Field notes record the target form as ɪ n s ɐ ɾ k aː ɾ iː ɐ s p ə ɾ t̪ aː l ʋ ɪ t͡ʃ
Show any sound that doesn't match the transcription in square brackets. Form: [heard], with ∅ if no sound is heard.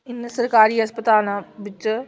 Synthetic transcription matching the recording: ɪ n s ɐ ɾ k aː ɾ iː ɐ s p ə [∅] t̪ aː l ʋ ɪ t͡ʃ